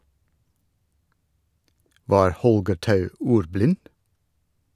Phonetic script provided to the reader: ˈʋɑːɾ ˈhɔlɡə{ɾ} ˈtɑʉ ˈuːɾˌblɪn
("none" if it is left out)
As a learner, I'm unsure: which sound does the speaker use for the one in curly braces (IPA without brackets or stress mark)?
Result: ɾ